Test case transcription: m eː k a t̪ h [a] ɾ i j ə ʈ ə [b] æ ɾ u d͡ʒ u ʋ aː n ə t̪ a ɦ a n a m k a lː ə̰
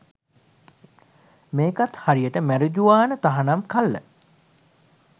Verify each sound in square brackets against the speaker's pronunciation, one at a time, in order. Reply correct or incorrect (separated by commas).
correct, incorrect